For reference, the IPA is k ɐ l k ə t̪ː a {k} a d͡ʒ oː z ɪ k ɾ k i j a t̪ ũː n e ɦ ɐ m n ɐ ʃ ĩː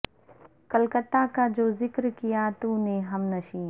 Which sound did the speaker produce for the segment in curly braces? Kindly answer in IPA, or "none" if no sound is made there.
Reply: k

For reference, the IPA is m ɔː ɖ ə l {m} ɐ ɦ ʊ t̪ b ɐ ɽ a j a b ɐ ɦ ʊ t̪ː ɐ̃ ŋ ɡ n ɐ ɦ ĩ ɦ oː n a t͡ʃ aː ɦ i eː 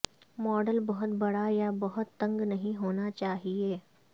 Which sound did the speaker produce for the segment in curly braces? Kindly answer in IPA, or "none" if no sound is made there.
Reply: b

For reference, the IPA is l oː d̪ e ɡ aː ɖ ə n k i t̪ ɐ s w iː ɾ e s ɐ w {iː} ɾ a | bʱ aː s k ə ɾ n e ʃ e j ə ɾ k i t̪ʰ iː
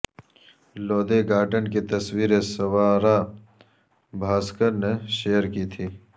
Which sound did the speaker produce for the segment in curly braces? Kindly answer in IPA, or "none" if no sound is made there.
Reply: aː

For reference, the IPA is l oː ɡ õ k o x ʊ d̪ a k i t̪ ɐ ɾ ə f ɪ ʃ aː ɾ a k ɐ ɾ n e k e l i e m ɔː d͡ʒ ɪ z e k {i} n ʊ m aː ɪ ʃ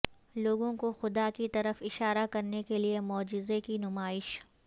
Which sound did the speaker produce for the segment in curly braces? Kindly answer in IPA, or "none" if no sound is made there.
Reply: i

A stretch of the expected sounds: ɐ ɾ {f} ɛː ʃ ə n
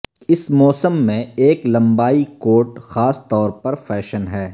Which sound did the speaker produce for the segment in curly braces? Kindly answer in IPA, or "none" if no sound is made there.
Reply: f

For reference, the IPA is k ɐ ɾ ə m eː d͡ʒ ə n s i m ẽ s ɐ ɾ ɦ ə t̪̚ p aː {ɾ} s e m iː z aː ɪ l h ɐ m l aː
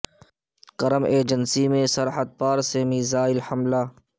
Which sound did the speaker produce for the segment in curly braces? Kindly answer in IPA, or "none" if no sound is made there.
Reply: ɾ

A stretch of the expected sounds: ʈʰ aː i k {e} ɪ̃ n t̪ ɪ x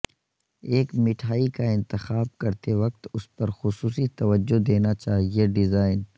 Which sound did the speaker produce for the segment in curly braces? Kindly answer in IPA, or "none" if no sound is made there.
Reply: a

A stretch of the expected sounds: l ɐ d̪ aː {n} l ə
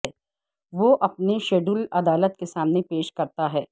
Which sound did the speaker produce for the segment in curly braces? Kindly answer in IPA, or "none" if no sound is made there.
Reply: none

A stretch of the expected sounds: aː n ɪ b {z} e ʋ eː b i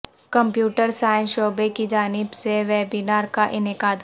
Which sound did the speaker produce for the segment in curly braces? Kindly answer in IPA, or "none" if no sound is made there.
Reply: s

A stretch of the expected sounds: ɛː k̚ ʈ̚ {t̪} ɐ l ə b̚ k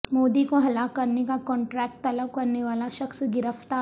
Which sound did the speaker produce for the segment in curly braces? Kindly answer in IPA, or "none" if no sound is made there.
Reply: t̪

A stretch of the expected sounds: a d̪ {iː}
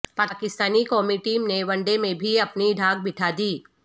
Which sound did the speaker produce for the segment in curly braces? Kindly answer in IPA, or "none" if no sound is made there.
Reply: iː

